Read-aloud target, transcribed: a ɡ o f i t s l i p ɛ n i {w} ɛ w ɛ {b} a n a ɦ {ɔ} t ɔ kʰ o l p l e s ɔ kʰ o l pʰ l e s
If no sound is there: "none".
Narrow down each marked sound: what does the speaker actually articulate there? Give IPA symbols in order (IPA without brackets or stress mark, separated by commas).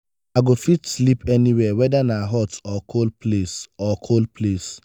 w, d, ɔ